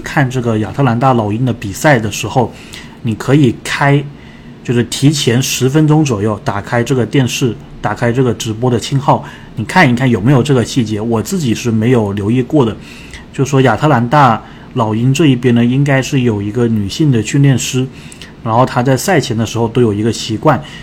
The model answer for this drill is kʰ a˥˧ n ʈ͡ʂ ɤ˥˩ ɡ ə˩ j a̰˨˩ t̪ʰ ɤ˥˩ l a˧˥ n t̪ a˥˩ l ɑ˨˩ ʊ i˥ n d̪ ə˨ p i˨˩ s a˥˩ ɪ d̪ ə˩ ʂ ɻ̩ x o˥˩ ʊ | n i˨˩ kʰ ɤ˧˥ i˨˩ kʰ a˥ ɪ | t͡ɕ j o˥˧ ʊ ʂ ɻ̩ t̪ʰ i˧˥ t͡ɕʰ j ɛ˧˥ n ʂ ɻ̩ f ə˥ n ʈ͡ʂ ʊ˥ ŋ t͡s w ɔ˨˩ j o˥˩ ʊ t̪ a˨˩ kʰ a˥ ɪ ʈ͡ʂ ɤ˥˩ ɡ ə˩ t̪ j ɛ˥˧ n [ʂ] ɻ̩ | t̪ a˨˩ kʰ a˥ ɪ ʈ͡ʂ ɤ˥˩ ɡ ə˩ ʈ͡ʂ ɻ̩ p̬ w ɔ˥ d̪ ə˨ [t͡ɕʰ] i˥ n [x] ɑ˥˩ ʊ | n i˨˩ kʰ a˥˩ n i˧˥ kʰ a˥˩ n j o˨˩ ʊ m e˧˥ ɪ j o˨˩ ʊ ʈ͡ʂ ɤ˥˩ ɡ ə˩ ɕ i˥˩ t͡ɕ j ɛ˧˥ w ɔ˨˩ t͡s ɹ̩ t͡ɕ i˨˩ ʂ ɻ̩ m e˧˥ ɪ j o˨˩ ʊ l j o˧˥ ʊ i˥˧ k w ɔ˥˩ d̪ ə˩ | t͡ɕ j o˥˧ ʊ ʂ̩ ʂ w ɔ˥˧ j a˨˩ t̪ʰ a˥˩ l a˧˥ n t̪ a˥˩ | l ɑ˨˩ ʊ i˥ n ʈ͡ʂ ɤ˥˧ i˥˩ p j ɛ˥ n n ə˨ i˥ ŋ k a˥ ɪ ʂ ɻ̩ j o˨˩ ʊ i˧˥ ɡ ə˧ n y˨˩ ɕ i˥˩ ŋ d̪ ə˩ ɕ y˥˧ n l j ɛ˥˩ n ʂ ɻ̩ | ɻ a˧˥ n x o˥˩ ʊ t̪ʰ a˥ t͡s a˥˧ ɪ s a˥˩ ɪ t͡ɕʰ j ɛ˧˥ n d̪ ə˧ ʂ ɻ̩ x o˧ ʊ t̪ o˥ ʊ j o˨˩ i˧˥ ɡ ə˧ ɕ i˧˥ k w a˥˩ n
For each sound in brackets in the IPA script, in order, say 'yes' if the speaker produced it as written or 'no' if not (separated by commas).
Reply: yes, yes, yes